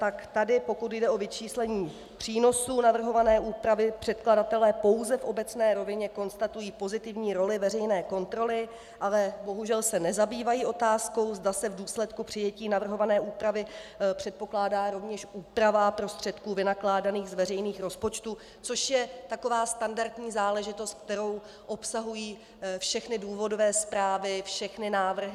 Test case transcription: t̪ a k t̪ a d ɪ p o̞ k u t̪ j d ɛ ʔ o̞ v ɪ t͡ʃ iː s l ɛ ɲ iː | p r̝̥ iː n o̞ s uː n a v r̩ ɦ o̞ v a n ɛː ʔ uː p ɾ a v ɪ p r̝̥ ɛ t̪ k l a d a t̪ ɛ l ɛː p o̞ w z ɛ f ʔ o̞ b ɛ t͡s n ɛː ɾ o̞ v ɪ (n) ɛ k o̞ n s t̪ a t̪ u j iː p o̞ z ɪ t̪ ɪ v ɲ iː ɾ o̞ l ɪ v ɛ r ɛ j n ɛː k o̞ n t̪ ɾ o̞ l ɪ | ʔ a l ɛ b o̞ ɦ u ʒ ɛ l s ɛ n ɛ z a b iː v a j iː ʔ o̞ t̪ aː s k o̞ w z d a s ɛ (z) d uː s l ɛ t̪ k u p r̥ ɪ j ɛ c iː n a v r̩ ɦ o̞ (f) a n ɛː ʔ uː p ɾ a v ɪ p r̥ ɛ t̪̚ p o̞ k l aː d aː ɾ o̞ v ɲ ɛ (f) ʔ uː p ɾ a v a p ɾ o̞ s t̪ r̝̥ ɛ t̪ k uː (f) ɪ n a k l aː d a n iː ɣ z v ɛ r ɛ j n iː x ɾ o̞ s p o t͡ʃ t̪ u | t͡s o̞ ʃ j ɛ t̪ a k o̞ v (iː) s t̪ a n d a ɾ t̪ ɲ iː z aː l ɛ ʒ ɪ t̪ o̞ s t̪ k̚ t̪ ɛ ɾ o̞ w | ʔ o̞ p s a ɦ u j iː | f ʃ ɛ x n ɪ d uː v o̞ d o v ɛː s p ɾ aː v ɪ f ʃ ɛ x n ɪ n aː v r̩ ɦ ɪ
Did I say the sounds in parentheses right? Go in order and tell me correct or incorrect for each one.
incorrect: ɲ, incorrect: v, incorrect: v, incorrect: ʃ, incorrect: v, incorrect: aː

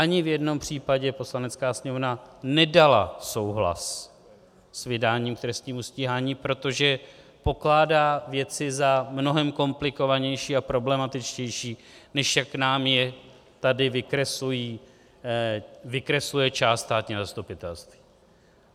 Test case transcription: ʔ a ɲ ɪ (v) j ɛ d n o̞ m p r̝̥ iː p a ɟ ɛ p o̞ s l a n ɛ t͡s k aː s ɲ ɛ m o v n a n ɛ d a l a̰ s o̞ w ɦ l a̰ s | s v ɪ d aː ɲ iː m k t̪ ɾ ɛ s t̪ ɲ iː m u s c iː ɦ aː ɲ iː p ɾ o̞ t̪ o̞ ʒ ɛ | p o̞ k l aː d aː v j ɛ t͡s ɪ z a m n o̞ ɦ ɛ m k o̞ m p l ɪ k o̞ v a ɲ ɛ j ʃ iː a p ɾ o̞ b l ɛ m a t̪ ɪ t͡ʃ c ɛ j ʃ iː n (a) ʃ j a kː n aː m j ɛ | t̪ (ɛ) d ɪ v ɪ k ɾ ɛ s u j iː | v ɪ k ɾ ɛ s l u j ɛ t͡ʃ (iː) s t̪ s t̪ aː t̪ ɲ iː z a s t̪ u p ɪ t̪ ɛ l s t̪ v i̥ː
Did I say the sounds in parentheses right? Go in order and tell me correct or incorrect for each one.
correct, incorrect: ɛ, incorrect: a, incorrect: aː

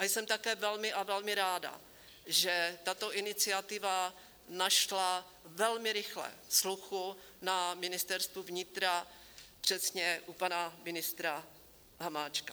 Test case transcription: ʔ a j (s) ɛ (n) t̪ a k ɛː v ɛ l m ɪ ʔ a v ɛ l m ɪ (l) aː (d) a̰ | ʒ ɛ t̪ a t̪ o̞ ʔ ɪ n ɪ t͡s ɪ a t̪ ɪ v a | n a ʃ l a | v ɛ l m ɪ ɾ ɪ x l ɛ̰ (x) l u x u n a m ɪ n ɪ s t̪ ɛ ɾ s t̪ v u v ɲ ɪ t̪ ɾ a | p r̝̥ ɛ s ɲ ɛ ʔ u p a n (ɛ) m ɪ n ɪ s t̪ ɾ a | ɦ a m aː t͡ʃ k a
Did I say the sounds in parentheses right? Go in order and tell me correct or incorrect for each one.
correct, incorrect: m, incorrect: ɾ, correct, incorrect: s, incorrect: a

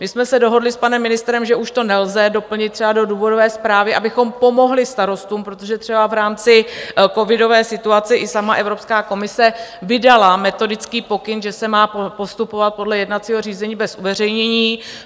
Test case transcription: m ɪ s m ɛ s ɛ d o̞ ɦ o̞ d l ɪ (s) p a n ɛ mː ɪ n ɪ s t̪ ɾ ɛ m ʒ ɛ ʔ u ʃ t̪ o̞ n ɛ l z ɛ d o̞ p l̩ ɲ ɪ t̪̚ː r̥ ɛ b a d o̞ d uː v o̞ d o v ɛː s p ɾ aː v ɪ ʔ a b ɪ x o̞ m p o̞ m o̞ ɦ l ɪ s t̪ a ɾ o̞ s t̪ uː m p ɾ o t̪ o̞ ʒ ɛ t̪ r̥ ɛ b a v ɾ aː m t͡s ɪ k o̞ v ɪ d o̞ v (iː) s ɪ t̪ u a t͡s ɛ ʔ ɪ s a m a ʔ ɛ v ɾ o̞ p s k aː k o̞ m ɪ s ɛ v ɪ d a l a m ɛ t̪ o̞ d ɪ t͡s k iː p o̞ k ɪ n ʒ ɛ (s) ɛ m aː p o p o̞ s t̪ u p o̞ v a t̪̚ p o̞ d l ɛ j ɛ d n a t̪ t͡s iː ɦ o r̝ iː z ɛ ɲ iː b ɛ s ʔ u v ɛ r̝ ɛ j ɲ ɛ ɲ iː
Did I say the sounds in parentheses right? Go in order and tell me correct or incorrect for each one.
correct, incorrect: ɛː, correct

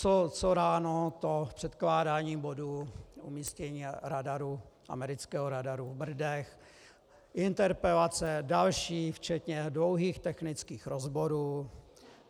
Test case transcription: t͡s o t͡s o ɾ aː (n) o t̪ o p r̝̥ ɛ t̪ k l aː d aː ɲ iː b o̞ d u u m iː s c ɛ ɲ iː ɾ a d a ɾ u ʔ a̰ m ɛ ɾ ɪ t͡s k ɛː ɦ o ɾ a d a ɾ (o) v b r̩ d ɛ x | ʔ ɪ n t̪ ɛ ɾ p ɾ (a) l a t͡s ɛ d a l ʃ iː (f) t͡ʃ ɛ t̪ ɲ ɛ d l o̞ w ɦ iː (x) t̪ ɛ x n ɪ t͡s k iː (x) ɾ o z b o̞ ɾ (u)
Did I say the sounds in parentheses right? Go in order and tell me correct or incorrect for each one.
correct, incorrect: u, incorrect: ɛ, correct, correct, correct, incorrect: uː

